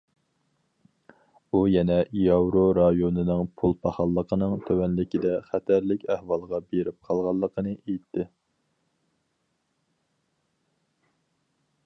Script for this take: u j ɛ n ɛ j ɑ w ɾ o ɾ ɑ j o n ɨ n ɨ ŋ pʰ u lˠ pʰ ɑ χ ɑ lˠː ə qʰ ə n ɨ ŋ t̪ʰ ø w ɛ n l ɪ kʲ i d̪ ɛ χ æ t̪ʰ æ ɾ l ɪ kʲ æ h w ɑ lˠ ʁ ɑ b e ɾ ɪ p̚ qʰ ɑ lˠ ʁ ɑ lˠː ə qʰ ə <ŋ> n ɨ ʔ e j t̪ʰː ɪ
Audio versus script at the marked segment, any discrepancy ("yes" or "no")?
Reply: yes